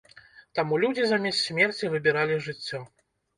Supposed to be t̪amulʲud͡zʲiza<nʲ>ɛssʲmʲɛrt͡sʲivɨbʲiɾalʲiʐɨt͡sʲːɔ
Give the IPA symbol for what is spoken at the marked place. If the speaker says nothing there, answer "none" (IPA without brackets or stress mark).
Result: mʲ